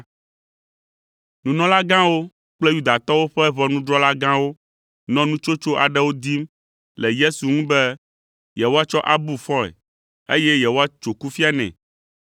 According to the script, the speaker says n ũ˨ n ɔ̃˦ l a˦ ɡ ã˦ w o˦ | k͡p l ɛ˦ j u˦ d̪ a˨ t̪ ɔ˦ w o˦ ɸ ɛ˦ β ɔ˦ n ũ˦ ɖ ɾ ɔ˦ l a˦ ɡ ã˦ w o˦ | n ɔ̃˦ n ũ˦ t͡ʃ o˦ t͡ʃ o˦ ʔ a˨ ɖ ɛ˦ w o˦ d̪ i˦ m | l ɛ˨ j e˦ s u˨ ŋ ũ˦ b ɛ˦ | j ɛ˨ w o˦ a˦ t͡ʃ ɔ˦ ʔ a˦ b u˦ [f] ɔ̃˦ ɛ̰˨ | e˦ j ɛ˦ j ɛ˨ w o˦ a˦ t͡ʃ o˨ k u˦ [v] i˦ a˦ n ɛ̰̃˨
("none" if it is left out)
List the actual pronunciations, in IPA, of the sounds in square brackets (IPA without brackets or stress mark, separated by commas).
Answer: f, f